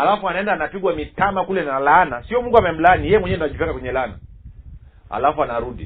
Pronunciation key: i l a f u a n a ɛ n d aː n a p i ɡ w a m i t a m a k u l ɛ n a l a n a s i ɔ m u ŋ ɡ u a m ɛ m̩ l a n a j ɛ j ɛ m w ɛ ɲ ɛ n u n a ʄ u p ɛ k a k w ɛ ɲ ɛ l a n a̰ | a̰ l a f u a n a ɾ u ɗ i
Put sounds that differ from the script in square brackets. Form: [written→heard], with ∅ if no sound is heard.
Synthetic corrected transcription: [i→a] l a f u a n a ɛ n d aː n a p i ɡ w a m i t a m a k u l ɛ n a l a n a s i ɔ m u ŋ ɡ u a m ɛ m̩ l a n [a→i] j ɛ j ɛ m w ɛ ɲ ɛ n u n a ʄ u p ɛ k a k w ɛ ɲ ɛ l a n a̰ | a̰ l a f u a n a ɾ u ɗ i